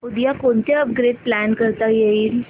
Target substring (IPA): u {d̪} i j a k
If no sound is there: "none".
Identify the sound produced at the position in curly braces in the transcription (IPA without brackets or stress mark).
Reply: d̪